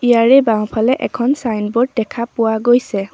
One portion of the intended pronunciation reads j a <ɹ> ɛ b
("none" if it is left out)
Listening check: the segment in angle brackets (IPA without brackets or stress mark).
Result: ɹ